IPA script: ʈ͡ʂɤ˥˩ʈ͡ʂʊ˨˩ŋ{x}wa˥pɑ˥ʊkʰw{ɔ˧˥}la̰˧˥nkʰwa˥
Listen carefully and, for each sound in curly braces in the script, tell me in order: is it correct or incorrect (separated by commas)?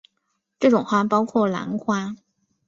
correct, incorrect